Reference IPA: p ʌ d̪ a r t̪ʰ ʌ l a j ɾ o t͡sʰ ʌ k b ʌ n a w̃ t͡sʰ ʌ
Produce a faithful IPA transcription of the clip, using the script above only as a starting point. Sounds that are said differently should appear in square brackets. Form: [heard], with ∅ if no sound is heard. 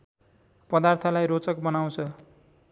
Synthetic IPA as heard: p ʌ d̪ a r t̪ʰ ʌ l a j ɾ o [t͡s] ʌ k b ʌ n a w̃ t͡sʰ ʌ

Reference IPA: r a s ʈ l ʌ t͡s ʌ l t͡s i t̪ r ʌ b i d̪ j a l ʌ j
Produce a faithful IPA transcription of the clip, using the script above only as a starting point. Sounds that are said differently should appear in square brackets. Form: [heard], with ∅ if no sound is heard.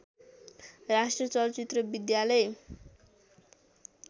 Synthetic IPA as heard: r a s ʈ [r] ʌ t͡s ʌ l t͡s i t̪ r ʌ b i d̪ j a l ʌ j

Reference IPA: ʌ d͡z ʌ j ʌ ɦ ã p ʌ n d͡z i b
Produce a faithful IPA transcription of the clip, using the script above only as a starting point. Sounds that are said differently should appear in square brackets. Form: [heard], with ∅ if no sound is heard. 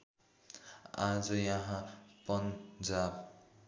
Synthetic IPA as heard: [a] d͡z ʌ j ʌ ɦ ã p ʌ n d͡z [a] b

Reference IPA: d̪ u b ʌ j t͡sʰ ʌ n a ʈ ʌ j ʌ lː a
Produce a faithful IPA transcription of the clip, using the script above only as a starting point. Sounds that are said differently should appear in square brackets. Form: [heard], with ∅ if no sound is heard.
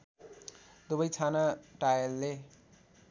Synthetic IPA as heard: d̪ u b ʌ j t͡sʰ [a] n a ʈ [a] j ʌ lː [e]

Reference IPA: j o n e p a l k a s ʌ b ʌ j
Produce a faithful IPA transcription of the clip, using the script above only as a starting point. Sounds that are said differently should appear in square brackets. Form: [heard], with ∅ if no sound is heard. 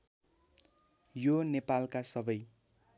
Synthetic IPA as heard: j o n e p a l k a s ʌ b ʌ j

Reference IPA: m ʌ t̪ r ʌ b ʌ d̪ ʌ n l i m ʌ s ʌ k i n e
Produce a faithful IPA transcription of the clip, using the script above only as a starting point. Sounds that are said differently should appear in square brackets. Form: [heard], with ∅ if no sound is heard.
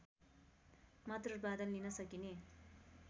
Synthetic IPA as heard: m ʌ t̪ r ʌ b [a] d̪ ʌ n l i [n] ʌ s ʌ k i n e

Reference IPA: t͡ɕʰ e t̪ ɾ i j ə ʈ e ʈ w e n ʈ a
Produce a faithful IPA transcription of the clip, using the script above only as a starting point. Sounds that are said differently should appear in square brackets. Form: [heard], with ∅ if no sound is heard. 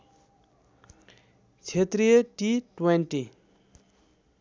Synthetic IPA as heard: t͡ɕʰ e t̪ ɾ i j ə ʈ [i] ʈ w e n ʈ [i]

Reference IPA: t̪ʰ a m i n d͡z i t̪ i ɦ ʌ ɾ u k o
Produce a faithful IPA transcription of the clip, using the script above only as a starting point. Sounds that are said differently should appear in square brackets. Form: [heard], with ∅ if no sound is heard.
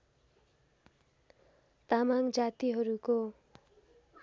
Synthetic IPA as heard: [t̪] a m [a] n d͡z [a] t̪ i ɦ ʌ ɾ u k o

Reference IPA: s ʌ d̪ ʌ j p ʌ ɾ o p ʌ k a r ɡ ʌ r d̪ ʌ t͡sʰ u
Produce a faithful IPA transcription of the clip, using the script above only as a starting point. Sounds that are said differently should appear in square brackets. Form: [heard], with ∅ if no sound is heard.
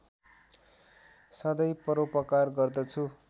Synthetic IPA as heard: s ʌ d̪ ʌ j p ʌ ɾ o p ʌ k a r ɡ ʌ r d̪ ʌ t͡sʰ u

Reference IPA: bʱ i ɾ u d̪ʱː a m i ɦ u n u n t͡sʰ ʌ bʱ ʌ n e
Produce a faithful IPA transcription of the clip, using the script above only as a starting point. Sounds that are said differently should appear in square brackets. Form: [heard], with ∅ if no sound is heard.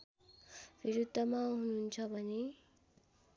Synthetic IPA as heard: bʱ i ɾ u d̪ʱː [ʌ] m [a] ɦ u n u n t͡sʰ ʌ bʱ ʌ n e

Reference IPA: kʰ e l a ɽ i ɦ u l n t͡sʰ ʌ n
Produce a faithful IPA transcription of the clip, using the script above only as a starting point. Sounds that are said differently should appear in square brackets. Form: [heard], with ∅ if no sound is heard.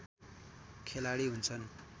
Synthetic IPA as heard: kʰ e l a ɽ i ɦ u [∅] n t͡sʰ ʌ n

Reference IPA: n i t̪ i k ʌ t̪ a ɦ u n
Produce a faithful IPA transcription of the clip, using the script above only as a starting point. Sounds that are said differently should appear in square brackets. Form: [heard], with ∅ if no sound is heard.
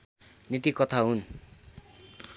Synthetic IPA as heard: n i t̪ i k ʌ [t̪ʰ] a ɦ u n

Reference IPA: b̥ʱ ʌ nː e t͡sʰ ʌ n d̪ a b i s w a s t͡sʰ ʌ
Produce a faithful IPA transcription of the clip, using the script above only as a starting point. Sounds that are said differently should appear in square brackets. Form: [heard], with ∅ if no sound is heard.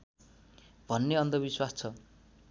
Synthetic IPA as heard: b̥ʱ ʌ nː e [∅] ʌ n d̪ [ʌ] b i s w a s t͡sʰ ʌ

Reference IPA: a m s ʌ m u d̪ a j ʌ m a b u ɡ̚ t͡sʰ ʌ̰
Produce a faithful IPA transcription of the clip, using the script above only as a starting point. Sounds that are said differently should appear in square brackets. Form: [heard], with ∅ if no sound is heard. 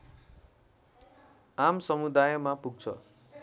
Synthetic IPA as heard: a m s ʌ m u d̪ a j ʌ m a [p] u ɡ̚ t͡sʰ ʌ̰

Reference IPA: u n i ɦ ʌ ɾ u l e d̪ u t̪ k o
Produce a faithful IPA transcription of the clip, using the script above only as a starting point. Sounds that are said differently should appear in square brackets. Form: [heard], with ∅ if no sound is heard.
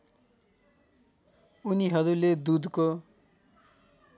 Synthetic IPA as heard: u n i ɦ ʌ ɾ u l e d̪ u [d̪] k o

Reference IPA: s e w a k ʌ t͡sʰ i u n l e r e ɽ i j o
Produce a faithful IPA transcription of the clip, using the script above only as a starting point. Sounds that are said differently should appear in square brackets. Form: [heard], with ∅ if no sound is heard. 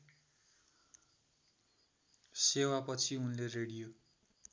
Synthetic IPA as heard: s e w a [p] ʌ t͡sʰ i u n l e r e ɽ i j o

